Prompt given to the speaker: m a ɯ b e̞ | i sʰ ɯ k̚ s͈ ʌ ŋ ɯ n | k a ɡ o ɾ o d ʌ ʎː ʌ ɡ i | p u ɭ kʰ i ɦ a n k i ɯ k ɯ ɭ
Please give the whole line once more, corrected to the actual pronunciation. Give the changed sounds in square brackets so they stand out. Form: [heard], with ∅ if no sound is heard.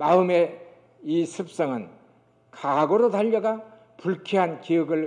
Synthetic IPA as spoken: m a ɯ [m] e̞ | i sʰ ɯ [p̚] s͈ ʌ ŋ ɯ n | k a ɡ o ɾ o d [a] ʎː ʌ ɡ [a] | p u ɭ kʰ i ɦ a n k i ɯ [ɡ] ɯ ɭ

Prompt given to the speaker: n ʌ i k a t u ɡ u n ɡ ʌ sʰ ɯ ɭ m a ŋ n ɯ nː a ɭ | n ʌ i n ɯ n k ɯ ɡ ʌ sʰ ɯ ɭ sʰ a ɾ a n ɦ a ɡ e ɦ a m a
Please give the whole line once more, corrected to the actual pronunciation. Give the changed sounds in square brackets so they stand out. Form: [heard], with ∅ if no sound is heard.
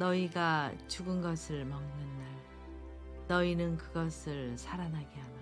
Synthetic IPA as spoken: n ʌ i [ɡ] a [t͡ɕ] u ɡ [ɯ] n ɡ ʌ sʰ ɯ ɭ m [ʌ] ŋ n ɯ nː a ɭ | n ʌ i n ɯ n k ɯ ɡ ʌ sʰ ɯ ɭ sʰ a ɾ a n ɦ a ɡ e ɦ a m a

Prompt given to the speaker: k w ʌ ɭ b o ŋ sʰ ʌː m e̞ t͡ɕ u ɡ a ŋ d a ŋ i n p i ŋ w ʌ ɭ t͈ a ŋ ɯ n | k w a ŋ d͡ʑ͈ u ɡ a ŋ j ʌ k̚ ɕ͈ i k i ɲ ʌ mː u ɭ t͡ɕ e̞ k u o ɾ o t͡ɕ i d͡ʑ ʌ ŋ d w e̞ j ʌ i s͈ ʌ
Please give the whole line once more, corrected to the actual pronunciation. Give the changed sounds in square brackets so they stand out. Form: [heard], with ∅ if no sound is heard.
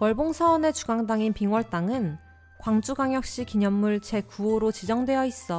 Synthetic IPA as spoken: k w ʌ ɭ b o ŋ sʰ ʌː [n] e̞ t͡ɕ u ɡ a ŋ d a ŋ i n p i ŋ w ʌ ɭ t͈ a ŋ ɯ n | k w a ŋ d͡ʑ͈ u ɡ a ŋ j ʌ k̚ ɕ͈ i k i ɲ ʌ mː u ɭ t͡ɕ e̞ k u o ɾ o t͡ɕ i d͡ʑ ʌ ŋ d w e̞ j ʌ i s͈ ʌ

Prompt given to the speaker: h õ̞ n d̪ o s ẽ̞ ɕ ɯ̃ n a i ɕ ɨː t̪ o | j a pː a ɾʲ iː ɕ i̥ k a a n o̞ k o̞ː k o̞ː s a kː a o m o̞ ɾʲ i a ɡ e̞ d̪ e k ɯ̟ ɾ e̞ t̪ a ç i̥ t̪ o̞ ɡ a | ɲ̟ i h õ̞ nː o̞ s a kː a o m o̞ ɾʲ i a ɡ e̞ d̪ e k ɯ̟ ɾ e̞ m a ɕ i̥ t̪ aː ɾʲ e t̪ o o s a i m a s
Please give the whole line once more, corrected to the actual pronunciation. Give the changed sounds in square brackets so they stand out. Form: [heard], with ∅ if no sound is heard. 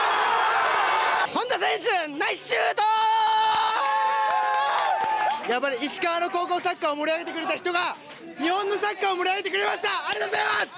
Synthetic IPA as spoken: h õ̞ n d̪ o s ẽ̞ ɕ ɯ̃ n a i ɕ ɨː t̪ o | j a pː a ɾʲ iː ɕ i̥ k a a n o̞ k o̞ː k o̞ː s a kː a o m o̞ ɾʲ i a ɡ e̞ [t̪] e k ɯ̟ ɾ e̞ t̪ a ç i̥ t̪ o̞ ɡ a | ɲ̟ i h õ̞ nː o̞ s a kː a o m o̞ ɾʲ i a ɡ e̞ [t̪] e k ɯ̟ ɾ e̞ m a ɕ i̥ t̪ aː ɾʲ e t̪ o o [z] a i m a s

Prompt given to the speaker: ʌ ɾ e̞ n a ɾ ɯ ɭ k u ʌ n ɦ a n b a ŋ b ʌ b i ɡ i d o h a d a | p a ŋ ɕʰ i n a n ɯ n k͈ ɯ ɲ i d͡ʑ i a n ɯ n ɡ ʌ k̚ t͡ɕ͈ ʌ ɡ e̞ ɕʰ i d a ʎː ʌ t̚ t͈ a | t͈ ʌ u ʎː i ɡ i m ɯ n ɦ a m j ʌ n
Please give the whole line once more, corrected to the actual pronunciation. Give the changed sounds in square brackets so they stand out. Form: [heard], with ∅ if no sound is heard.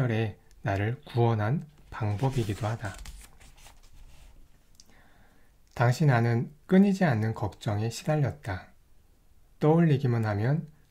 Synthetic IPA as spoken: ʌ ɾ e̞ n a ɾ ɯ ɭ k u ʌ n ɦ a n [p] a ŋ b ʌ b i ɡ i d o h a d a | [t] a ŋ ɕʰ i n a n ɯ n k͈ ɯ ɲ i d͡ʑ i a [nː] ɯ n [k] ʌ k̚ t͡ɕ͈ ʌ [ŋ] e̞ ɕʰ i d a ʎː ʌ t̚ t͈ a | t͈ ʌ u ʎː i ɡ i m ɯ n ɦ a m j ʌ n

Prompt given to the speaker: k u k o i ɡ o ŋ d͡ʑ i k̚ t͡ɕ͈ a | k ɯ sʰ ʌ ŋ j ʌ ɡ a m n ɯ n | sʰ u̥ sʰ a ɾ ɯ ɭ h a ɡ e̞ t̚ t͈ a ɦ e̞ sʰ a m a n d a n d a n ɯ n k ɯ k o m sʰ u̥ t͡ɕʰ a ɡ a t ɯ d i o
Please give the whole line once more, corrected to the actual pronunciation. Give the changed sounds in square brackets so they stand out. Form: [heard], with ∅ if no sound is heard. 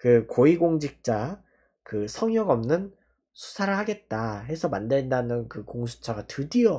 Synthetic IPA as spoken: k [ɯ] k o i ɡ o ŋ d͡ʑ i k̚ t͡ɕ͈ a | k ɯ sʰ ʌ ŋ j ʌ ɡ [ʌ] m n ɯ n | sʰ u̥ sʰ a ɾ ɯ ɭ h a ɡ e̞ t̚ t͈ a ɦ e̞ sʰ [ʌ] m a n d [e] n d a n ɯ n k ɯ k o [ŋ] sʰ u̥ t͡ɕʰ a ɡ a t ɯ d i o

